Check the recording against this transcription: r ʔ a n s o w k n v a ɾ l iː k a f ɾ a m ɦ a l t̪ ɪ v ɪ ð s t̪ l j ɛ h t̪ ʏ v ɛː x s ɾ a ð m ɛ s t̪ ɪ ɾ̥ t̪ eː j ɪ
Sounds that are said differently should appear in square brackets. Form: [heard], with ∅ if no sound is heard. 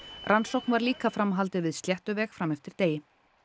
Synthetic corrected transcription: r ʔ a n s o w k n v a ɾ l iː k a f ɾ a m ɦ a l t̪ ɪ v ɪ ð s t̪ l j ɛ h t̪ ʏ v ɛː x [f] ɾ a [∅] m ɛ [f] t̪ ɪ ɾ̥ t̪ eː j ɪ